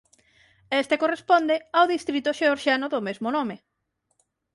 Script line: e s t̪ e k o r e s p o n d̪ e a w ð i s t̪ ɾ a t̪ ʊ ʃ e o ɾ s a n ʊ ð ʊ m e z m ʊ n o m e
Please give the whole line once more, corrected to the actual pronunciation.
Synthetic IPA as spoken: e s t̪ e k o r e s p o n d̪ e a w ð i s t̪ ɾ i t̪ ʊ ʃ e o ɾ ʃ a n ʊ ð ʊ m e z m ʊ n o m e